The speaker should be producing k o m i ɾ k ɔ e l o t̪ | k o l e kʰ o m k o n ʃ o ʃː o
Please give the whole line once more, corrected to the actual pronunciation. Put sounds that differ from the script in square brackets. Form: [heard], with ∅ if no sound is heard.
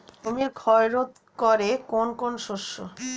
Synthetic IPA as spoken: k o m i ɾ [kʰ] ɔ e [ɾ] o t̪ | k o [ɾ] e [k] o [n] k o n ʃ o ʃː o